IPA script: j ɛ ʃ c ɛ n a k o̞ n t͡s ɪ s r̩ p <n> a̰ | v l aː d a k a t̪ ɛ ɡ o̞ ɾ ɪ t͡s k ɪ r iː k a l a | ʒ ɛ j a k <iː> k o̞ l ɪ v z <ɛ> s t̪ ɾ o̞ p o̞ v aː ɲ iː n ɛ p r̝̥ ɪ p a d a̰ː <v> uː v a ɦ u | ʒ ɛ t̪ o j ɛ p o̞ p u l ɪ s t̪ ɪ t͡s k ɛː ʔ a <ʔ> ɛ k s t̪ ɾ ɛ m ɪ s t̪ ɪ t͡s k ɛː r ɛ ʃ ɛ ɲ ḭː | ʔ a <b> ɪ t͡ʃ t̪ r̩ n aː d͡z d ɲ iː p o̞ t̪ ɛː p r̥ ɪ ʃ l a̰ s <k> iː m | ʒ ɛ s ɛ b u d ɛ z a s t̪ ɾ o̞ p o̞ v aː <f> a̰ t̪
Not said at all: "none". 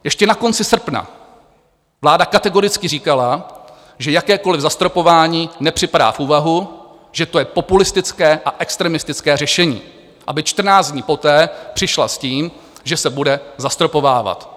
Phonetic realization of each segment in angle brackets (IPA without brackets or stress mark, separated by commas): n, ɛː, a, f, ʔ, b, c, v